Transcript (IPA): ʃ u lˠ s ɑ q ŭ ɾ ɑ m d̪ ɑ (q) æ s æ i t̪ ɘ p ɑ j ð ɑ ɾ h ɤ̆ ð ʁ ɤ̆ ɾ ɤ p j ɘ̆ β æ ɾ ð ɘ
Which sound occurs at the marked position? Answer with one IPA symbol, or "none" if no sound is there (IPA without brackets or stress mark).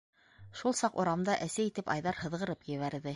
ʔ